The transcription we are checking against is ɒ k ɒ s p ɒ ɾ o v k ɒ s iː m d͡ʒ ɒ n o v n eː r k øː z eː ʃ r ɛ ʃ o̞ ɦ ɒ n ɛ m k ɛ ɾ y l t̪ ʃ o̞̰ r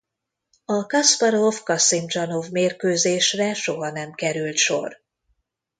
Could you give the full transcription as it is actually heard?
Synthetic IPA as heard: ɒ k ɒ s p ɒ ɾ o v k ɒ s i m d͡ʒ ɒ n o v m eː r k øː z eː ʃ r ɛ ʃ o̞ ɦ ɒ n ɛ m k ɛ ɾ y l t̪ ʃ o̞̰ r

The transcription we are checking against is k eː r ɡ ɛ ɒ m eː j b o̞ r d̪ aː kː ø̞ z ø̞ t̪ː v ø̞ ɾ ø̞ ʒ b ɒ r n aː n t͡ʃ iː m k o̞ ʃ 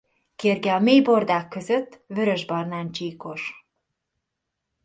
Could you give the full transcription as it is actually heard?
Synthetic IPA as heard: k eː r ɡ ɛ ɒ m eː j b o̞ r d̪ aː kː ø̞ z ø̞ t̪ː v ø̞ ɾ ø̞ ʒ b ɒ r n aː n t͡ʃ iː k o̞ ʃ

